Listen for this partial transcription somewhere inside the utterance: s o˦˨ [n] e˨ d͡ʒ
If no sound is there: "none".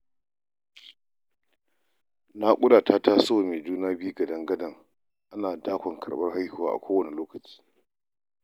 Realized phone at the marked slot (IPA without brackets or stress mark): m